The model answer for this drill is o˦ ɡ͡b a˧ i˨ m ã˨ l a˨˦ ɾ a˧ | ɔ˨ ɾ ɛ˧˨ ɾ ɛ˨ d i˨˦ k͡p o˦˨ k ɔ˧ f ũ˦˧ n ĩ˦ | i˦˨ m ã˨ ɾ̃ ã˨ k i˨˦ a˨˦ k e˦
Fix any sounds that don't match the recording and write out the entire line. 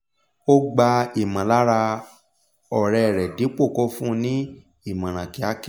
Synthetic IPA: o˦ ɡ͡b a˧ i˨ m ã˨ l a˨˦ ɾ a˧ | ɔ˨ ɾ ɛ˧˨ ɾ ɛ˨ d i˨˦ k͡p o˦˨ k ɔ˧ f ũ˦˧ n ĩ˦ | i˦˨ m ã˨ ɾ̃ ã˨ k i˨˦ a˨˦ k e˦